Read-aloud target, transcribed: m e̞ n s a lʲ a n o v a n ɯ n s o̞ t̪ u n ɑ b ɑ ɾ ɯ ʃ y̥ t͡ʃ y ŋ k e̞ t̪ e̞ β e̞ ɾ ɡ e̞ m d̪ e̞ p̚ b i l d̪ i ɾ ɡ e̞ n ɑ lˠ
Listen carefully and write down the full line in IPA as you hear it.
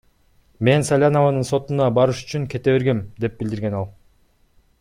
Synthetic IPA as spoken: m e̞ n s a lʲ a n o v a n ɯ n s o̞ t̪ u n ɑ b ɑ ɾ ɯ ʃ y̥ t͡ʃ y ŋ k e̞ t̪ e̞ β e̞ ɾ ɡ e̞ m d̪ e̞ p̚ b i l d̪ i ɾ ɡ e̞ n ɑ lˠ